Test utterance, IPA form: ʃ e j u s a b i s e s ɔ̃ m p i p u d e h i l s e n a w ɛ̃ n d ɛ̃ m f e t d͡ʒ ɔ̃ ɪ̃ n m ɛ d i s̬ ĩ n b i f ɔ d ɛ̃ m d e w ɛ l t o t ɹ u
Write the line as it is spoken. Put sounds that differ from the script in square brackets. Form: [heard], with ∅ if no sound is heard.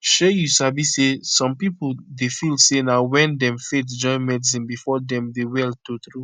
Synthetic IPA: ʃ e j u s a b i s e s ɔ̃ m p i p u d e [f] i l s e n a w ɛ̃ n d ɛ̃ m f e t d͡ʒ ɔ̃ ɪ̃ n m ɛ d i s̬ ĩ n b i f ɔ d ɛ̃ m d e w ɛ l t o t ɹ u